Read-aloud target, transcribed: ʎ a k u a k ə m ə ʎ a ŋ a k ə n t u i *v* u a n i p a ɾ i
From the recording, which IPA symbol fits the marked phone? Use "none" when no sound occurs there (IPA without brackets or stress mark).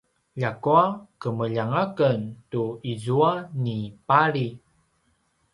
z